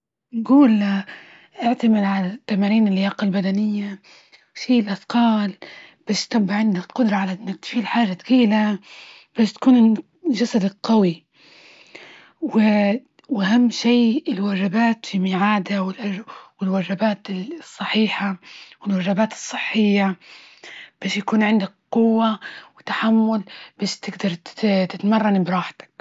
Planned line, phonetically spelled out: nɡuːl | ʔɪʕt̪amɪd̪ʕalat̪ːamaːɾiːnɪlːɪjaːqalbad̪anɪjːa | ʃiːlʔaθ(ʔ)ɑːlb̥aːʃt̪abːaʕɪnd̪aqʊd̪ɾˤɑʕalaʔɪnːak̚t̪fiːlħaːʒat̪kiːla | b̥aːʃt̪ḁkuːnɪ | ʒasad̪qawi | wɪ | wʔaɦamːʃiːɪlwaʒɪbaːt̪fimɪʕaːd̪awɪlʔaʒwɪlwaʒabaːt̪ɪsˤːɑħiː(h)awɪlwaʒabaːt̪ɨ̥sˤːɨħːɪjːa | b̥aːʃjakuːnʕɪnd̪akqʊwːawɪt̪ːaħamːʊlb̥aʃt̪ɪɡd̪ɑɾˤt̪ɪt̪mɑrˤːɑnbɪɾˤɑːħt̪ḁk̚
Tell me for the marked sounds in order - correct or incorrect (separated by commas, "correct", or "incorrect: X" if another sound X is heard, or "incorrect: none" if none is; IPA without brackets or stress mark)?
incorrect: q, incorrect: ħ